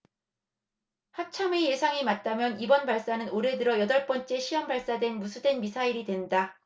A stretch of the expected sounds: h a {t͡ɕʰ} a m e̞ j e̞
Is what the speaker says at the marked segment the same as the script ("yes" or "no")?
yes